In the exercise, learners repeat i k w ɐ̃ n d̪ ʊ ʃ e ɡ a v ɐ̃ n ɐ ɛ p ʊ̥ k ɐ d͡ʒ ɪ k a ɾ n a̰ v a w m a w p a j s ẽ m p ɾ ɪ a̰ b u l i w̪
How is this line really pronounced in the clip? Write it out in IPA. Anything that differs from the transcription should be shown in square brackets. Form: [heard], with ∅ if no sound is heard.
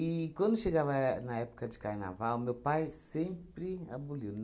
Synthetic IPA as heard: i k w ɐ̃ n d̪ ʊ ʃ e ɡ a v [ɐ] n ɐ ɛ p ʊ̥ k ɐ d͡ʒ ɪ k a ɾ n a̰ v a w m [e] w p a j s ẽ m p ɾ ɪ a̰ b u l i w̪